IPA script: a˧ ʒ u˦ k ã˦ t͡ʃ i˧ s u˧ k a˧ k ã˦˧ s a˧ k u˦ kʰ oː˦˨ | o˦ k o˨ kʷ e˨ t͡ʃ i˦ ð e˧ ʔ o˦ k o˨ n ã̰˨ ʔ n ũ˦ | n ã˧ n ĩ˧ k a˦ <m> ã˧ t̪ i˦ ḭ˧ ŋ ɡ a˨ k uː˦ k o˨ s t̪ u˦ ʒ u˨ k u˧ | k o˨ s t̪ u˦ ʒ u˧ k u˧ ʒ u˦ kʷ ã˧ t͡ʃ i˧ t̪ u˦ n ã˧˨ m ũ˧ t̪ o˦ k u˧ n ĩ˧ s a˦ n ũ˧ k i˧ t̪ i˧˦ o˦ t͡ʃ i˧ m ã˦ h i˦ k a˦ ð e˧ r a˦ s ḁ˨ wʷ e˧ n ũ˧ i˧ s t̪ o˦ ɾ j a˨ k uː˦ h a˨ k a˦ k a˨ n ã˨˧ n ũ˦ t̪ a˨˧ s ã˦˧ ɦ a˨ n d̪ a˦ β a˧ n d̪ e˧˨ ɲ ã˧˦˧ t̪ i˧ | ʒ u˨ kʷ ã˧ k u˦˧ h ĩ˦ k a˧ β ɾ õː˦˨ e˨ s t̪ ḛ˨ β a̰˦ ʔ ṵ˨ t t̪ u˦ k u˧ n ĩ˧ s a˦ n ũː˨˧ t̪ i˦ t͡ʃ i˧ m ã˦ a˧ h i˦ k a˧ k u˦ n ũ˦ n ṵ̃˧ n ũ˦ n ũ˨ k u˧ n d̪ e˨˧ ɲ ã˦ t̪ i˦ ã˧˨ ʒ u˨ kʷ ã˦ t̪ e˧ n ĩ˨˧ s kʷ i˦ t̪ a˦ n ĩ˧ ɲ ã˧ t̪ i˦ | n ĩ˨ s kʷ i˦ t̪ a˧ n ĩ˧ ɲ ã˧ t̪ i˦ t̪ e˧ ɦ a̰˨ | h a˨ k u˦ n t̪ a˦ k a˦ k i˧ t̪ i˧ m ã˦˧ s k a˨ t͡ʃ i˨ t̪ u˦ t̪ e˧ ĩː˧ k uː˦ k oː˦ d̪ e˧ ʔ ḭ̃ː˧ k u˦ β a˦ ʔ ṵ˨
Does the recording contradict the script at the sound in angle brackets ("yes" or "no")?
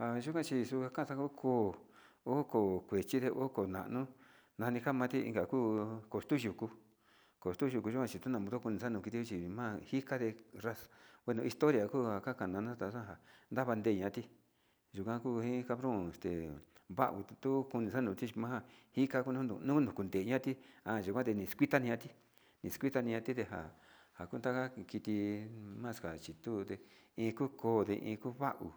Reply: no